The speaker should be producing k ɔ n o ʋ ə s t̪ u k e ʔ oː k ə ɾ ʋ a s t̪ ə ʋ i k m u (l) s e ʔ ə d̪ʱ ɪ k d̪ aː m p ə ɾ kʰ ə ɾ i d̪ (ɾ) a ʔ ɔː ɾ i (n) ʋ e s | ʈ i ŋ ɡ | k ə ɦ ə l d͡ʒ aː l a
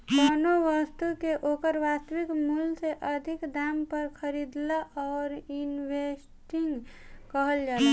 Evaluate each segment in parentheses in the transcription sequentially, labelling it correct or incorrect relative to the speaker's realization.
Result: correct, incorrect: l, correct

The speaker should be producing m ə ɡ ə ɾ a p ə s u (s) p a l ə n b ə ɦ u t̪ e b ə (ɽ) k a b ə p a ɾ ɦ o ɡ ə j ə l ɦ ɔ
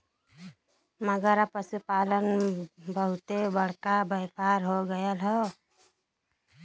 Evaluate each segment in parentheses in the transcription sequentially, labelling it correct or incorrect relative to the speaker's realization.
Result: incorrect: none, correct

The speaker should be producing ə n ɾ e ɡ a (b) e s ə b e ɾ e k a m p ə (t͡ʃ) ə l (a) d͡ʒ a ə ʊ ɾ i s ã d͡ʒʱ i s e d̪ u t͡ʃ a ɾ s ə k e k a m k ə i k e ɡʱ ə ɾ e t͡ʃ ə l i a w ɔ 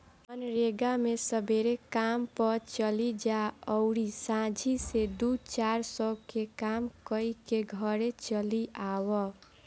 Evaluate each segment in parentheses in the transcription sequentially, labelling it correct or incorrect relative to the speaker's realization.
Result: incorrect: m, correct, incorrect: i

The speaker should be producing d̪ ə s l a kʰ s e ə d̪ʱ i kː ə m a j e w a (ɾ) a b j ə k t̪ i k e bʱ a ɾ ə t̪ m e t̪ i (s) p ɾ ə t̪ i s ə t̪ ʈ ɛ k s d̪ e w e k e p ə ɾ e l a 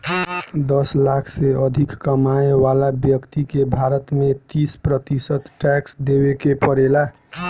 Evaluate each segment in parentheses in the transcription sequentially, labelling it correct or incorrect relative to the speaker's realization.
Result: incorrect: l, correct

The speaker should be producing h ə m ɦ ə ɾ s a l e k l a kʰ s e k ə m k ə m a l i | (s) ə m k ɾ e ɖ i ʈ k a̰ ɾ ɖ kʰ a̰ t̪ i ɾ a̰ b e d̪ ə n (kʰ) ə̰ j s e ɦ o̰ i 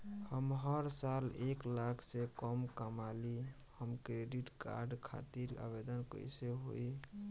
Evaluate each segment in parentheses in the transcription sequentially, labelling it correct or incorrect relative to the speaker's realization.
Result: incorrect: h, incorrect: k

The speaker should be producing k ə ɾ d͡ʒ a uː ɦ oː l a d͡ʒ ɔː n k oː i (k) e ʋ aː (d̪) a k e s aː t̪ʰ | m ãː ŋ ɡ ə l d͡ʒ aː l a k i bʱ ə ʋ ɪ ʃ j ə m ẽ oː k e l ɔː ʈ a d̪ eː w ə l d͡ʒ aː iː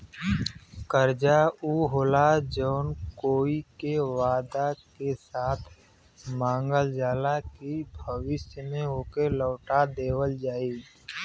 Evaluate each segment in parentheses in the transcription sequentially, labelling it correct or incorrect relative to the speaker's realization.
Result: correct, correct

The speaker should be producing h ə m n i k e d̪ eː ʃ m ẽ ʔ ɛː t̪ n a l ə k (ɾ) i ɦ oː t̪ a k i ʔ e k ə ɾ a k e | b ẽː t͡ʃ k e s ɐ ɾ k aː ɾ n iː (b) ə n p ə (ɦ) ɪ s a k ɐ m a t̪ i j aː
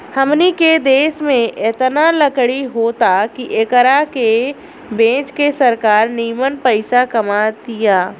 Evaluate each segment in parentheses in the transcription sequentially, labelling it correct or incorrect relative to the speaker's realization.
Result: incorrect: ɽ, incorrect: m, incorrect: none

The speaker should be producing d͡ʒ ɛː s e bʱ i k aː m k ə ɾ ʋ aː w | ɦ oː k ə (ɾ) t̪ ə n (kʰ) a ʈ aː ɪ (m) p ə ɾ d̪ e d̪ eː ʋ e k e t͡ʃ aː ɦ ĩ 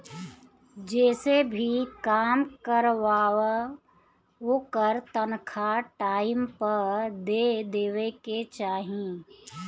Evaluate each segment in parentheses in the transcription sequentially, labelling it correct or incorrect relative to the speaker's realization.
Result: correct, correct, correct

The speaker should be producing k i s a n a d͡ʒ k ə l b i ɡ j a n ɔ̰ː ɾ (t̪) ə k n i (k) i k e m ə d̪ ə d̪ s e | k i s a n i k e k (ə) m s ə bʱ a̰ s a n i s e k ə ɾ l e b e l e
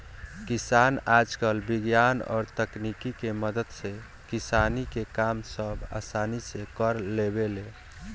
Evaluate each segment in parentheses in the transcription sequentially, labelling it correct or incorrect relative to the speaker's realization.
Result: correct, correct, incorrect: a

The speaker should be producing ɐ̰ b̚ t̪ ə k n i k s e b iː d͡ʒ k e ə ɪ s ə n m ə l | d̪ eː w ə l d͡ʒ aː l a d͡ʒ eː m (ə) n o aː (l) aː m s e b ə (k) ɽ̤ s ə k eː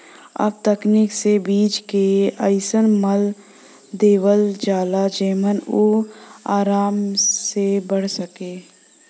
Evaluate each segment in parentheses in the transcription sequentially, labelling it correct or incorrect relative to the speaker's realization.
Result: correct, incorrect: ɾ, incorrect: none

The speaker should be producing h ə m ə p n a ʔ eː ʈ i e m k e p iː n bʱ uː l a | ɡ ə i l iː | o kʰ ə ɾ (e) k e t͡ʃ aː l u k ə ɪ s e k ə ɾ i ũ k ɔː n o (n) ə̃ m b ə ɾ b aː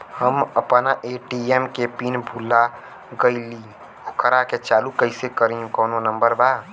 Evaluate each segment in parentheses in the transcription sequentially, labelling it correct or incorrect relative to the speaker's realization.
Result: incorrect: a, correct

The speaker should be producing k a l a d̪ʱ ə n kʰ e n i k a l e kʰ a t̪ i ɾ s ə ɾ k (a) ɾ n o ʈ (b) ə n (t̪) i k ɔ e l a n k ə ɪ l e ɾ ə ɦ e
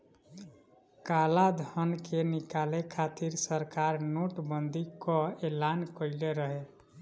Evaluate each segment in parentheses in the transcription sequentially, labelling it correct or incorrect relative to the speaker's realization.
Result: correct, correct, incorrect: d̪

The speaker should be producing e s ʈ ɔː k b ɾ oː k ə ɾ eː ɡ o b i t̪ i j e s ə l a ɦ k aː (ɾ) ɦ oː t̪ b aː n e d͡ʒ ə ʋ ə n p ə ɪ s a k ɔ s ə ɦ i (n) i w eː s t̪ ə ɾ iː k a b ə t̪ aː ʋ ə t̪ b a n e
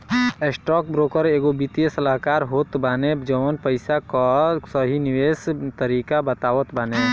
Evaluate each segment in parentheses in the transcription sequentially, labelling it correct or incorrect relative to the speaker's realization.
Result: correct, correct

